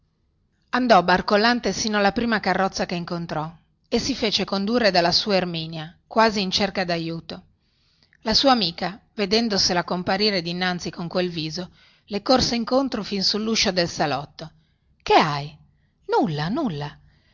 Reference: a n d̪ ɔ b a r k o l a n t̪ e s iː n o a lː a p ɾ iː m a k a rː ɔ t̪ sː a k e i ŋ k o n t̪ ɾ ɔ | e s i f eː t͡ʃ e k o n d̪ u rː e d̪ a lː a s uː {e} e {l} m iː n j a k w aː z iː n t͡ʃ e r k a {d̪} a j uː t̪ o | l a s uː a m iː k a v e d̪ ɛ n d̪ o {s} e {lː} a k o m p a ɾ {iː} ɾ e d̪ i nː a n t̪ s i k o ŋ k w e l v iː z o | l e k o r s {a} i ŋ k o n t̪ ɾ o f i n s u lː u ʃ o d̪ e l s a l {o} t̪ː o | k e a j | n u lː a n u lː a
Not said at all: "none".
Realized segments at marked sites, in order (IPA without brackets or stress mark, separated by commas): a, r, d̪, s, l, iː, e, ɔ